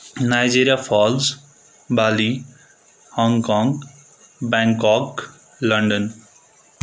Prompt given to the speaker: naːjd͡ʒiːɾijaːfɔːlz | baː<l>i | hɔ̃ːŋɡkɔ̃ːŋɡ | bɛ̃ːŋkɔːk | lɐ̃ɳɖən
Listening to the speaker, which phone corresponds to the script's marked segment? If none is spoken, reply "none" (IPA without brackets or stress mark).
l